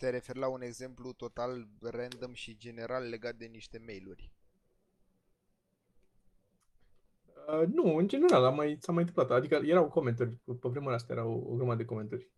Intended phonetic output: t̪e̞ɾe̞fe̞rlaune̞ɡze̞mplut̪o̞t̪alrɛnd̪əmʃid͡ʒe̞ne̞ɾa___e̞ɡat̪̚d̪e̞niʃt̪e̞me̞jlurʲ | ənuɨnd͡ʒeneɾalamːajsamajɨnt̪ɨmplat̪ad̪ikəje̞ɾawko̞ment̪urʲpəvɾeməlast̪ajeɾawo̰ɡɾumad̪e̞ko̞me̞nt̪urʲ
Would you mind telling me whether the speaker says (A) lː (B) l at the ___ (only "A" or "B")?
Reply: A